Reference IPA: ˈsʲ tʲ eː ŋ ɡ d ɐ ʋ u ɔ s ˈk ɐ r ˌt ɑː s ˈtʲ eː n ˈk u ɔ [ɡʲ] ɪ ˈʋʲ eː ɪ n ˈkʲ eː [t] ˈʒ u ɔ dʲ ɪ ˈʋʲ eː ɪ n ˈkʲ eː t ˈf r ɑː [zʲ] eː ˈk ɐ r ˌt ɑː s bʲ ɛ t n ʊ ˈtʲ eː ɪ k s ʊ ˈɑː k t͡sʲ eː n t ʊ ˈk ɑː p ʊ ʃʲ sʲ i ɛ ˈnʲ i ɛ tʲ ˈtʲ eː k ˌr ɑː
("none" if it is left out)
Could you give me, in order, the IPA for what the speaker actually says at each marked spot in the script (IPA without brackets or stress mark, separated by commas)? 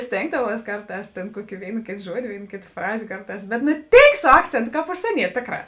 kʲ, t, zʲ